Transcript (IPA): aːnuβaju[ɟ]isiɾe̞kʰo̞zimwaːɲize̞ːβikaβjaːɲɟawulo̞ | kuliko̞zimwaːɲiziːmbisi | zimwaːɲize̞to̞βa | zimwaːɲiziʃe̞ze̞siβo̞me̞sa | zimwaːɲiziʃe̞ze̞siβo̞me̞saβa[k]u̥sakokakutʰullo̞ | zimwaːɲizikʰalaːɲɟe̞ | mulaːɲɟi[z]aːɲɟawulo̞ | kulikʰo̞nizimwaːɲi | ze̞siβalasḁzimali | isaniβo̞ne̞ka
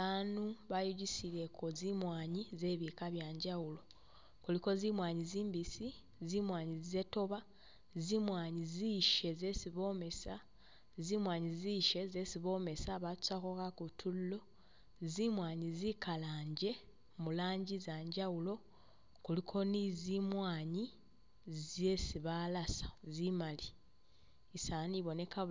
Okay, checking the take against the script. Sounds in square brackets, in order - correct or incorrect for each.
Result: correct, incorrect, correct

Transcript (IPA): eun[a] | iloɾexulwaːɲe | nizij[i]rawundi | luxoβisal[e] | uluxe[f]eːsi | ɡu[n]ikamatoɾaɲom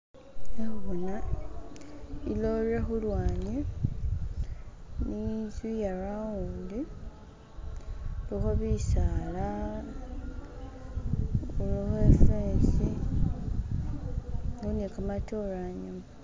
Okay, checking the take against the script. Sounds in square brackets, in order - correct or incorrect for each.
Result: correct, incorrect, incorrect, correct, correct

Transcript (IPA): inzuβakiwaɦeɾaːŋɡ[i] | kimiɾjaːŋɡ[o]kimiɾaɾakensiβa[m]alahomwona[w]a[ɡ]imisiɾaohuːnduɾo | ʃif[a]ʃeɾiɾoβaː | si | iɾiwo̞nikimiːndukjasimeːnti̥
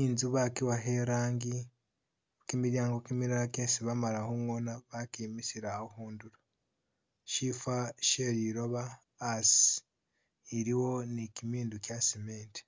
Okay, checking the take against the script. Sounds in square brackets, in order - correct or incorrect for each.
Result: correct, correct, correct, incorrect, incorrect, correct

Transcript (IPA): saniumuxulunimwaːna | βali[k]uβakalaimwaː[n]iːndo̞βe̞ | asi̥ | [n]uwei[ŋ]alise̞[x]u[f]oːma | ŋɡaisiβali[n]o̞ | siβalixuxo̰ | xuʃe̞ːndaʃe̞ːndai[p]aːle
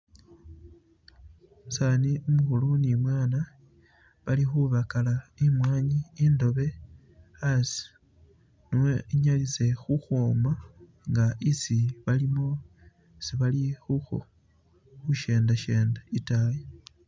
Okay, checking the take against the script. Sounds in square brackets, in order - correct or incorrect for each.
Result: incorrect, incorrect, correct, incorrect, correct, incorrect, incorrect, incorrect

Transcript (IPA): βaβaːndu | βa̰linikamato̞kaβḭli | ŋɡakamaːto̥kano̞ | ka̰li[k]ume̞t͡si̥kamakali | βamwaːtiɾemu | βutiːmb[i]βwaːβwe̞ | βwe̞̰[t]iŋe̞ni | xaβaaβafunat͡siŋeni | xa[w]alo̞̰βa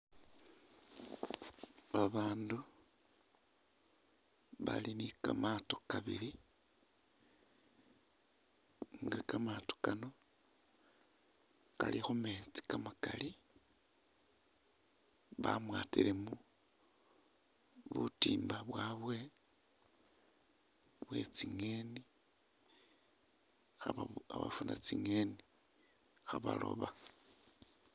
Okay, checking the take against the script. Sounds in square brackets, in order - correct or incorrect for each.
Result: incorrect, incorrect, incorrect, incorrect

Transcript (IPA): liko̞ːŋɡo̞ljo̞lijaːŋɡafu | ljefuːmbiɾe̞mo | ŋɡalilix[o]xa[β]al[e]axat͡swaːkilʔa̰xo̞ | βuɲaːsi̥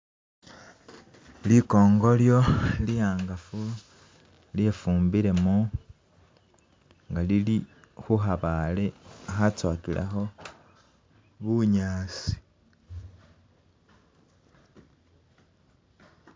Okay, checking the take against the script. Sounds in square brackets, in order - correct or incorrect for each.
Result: incorrect, correct, correct

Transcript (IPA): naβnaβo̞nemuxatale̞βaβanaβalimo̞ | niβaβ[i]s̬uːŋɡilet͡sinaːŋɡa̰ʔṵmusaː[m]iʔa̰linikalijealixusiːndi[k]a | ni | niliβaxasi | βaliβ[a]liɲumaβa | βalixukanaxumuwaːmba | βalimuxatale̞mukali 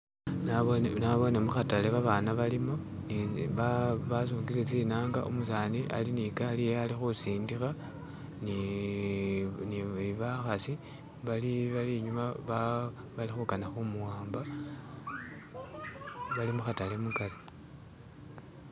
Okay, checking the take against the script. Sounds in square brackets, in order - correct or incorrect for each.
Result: incorrect, incorrect, incorrect, correct

